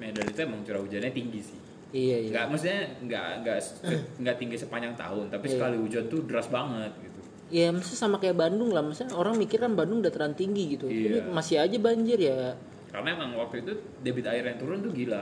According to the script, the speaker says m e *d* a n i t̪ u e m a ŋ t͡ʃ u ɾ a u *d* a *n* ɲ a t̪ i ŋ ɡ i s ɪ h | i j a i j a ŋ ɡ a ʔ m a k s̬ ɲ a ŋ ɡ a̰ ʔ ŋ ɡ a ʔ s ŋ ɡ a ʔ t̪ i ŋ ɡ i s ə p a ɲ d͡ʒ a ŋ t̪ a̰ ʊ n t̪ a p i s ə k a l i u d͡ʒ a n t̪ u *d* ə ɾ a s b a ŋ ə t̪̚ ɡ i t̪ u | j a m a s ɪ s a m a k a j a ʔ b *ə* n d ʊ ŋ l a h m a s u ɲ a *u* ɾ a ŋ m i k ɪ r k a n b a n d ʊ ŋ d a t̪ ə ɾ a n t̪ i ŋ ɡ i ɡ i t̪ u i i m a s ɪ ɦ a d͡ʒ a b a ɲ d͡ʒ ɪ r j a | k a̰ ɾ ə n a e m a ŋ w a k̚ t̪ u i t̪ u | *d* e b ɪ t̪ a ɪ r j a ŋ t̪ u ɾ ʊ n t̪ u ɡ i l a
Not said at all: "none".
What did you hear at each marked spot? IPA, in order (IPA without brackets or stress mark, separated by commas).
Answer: d, d͡ʒ, n, d, a, o, d